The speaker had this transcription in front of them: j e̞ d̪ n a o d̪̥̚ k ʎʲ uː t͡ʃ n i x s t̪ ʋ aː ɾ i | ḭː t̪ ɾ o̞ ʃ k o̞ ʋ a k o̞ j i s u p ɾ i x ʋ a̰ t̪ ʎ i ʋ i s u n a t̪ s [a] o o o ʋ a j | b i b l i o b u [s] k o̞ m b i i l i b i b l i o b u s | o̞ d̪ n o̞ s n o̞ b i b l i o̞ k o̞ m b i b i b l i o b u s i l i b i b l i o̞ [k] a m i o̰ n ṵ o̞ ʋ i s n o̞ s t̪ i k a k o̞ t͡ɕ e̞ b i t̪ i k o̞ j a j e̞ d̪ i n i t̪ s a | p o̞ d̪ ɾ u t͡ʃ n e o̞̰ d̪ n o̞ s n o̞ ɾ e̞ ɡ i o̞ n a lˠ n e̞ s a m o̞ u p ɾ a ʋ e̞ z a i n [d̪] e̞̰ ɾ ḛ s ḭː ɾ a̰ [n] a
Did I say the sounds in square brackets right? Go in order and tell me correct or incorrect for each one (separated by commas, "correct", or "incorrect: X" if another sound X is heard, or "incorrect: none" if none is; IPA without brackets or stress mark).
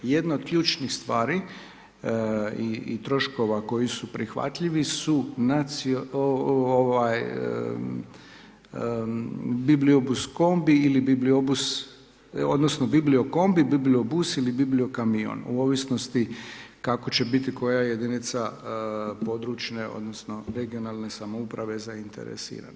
incorrect: i, correct, correct, incorrect: t̪, correct